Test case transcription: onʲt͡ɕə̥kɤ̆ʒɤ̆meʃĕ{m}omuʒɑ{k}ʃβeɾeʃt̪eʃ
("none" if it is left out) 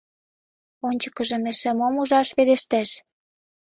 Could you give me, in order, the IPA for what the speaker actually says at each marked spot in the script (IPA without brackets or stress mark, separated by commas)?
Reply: m, none